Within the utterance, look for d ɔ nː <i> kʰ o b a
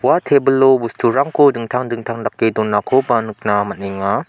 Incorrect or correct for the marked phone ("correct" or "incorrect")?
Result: incorrect